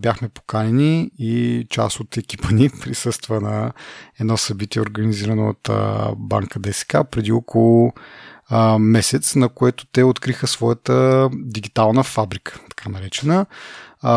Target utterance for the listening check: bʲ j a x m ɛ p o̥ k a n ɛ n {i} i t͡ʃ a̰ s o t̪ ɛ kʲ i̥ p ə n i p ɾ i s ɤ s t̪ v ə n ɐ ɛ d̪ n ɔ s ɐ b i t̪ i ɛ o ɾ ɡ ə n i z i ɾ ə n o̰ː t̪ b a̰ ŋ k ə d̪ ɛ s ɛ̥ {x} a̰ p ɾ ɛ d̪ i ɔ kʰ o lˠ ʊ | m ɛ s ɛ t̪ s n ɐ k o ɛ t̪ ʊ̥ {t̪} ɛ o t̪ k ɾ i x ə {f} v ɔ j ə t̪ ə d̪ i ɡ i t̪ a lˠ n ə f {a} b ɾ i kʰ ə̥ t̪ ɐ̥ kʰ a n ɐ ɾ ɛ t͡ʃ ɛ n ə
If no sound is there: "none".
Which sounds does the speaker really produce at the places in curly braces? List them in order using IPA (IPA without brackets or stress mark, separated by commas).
i, k, t̪, s, a